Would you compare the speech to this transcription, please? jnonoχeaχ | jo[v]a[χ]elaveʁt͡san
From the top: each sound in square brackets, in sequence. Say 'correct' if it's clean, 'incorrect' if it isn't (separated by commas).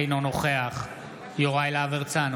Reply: incorrect, incorrect